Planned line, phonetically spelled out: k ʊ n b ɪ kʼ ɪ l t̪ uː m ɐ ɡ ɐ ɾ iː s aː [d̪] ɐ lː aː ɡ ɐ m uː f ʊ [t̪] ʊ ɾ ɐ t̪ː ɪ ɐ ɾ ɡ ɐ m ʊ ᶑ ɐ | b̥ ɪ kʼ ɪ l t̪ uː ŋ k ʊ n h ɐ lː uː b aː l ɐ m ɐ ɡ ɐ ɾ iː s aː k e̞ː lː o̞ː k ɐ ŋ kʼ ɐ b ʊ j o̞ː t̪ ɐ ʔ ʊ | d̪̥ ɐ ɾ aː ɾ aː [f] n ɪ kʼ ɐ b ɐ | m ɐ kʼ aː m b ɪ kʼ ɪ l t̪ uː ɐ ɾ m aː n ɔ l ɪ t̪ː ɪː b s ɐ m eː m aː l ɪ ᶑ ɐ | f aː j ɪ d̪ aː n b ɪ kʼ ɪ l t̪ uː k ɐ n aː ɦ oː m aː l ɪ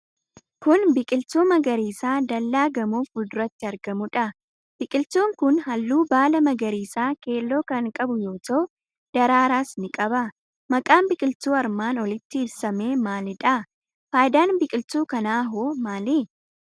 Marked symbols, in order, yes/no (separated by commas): yes, no, no